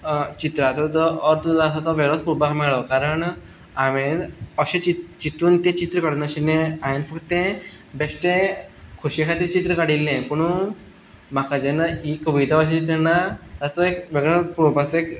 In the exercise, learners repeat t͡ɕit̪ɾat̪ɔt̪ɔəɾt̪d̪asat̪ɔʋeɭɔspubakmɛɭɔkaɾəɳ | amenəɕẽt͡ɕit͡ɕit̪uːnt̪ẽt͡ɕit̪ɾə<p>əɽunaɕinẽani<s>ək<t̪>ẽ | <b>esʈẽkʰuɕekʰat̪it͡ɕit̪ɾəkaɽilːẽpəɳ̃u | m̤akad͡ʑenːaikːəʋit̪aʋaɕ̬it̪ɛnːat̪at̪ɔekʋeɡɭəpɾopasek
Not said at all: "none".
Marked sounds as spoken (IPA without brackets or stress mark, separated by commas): k, f, t̪, b